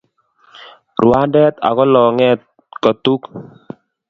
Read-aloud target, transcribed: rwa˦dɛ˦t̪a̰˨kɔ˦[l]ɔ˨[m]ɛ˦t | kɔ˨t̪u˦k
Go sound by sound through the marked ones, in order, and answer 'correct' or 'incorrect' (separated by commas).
correct, incorrect